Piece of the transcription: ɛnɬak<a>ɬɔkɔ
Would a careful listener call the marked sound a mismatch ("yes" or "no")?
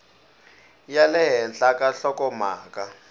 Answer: no